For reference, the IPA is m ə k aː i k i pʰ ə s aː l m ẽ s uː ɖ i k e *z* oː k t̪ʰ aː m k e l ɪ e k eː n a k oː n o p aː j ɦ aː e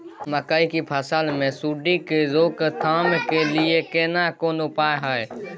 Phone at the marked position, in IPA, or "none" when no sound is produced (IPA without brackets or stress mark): z